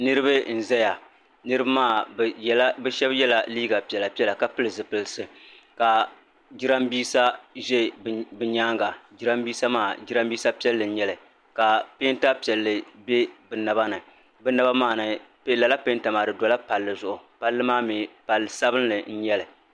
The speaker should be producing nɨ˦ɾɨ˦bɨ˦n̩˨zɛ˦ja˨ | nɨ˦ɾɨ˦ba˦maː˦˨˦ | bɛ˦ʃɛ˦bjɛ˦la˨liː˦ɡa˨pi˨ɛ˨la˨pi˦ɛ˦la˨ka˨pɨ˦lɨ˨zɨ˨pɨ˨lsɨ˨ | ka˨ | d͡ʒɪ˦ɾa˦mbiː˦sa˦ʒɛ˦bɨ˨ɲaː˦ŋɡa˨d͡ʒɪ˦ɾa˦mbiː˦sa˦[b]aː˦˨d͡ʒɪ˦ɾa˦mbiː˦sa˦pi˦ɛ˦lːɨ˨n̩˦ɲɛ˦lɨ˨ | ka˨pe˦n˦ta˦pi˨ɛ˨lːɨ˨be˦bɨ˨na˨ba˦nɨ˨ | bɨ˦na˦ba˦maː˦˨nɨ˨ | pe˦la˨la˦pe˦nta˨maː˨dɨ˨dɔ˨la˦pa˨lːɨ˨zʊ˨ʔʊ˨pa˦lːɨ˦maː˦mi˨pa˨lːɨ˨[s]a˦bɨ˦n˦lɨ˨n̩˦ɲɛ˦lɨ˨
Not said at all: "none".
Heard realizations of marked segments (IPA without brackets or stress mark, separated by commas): m, s